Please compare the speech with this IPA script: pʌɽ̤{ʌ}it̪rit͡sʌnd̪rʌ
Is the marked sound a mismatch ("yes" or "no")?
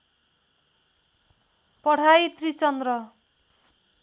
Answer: yes